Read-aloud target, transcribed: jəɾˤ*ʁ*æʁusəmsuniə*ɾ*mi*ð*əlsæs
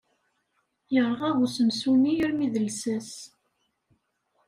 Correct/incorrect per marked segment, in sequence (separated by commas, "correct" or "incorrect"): correct, correct, correct